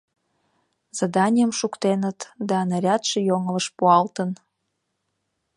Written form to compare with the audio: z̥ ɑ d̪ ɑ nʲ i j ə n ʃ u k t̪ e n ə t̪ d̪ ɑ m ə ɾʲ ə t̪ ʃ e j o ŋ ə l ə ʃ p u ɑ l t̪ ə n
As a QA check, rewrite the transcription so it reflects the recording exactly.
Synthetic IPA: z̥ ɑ d̪ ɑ nʲ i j ə m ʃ u k t̪ e n ə t̪ d̪ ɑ n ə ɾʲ ɑ t̪ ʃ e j o ŋ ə l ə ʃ p u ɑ l t̪ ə n